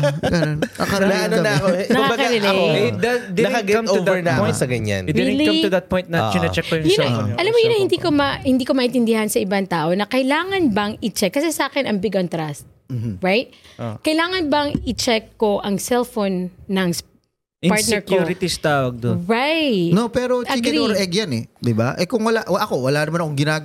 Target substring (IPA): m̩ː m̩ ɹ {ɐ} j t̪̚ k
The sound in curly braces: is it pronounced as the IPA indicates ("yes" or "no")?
no